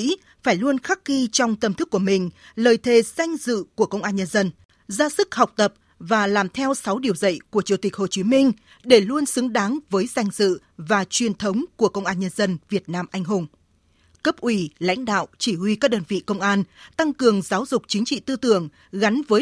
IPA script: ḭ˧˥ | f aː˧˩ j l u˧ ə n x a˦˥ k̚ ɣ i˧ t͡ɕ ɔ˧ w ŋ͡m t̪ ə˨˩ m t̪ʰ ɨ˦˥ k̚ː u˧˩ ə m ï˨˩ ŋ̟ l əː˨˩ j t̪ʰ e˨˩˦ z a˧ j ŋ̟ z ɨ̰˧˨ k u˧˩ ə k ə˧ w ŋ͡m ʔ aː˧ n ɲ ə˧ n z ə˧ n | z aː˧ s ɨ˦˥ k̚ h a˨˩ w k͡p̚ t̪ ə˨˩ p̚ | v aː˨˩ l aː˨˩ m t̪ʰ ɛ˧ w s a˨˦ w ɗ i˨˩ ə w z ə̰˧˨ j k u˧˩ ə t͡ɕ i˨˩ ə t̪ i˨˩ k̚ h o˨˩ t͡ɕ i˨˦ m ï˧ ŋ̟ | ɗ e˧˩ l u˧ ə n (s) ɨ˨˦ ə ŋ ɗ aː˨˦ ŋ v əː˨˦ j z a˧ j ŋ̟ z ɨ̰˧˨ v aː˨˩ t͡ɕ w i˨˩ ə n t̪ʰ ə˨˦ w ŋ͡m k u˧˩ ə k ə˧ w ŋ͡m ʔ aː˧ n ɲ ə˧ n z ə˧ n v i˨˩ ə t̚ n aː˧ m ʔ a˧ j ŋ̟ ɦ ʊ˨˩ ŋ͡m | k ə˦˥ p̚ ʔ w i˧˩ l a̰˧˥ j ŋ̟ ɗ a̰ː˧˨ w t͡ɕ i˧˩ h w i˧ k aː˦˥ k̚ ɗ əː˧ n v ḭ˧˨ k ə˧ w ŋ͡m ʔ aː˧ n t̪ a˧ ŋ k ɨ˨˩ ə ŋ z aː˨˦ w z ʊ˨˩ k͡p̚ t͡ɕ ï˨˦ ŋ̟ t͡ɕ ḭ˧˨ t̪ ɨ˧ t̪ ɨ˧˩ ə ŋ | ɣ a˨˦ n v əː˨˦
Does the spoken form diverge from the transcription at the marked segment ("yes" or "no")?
no